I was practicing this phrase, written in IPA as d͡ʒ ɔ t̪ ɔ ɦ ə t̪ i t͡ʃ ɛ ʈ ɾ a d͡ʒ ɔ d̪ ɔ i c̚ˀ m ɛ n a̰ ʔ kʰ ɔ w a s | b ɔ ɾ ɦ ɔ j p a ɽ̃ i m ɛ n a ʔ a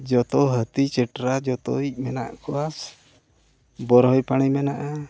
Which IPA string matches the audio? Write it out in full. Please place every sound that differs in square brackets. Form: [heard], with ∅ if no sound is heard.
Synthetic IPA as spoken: d͡ʒ ɔ t̪ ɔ ɦ ə t̪ i t͡ʃ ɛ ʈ ɾ a d͡ʒ ɔ [t̪] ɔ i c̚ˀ m ɛ n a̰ ʔ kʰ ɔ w a s | b ɔ ɾ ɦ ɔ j p a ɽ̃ i m ɛ n a ʔ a